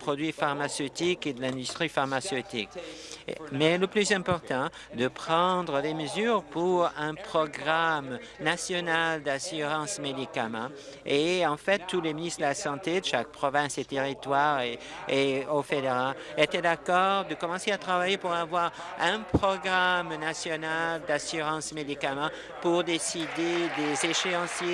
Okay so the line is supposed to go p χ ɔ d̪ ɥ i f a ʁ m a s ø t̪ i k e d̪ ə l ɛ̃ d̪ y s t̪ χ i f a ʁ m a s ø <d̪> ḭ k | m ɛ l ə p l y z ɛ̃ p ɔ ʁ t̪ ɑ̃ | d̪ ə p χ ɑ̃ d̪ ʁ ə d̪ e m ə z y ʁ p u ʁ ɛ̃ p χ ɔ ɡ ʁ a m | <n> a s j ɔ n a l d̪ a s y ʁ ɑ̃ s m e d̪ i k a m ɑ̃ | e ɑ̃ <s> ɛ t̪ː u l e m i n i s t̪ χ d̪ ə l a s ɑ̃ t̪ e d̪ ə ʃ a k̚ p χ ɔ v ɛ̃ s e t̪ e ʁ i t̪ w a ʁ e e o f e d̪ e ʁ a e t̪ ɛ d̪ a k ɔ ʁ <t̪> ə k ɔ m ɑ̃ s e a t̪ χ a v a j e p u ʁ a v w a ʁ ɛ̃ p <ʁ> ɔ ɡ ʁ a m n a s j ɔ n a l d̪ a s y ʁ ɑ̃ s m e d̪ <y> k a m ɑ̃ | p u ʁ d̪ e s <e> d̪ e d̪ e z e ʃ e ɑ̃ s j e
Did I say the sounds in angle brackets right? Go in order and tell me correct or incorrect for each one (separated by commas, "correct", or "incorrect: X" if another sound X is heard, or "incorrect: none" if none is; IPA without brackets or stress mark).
incorrect: t̪, correct, incorrect: f, incorrect: d̪, incorrect: χ, incorrect: i, incorrect: i